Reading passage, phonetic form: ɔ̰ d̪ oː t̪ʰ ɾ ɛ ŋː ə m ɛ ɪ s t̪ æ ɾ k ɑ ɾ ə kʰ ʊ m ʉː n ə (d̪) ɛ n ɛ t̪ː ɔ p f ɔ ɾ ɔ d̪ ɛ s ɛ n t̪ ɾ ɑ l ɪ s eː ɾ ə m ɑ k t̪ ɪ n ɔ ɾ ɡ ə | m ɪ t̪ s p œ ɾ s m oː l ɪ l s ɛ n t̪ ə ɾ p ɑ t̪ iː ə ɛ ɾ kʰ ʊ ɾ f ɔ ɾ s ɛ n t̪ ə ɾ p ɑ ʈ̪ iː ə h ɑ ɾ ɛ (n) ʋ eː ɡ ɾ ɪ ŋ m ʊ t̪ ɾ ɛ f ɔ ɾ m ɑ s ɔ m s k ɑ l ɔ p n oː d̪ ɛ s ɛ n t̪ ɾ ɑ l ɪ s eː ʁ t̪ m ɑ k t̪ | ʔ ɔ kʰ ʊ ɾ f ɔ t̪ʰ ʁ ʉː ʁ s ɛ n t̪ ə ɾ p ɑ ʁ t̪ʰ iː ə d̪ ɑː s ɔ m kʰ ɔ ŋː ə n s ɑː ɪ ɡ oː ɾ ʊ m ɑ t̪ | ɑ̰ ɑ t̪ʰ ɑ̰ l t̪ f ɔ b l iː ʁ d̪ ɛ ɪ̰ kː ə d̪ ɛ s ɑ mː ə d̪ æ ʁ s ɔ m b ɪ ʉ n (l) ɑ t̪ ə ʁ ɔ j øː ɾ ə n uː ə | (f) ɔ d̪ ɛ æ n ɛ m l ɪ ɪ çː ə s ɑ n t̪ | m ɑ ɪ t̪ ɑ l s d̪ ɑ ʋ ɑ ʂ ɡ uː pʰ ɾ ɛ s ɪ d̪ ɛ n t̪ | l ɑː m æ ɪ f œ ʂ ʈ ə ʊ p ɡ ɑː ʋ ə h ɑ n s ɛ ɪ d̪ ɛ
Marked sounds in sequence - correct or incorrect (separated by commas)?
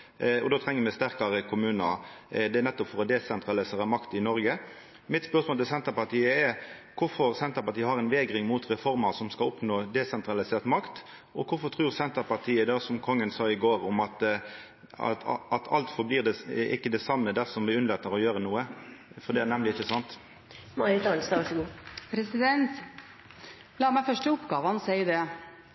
correct, correct, correct, correct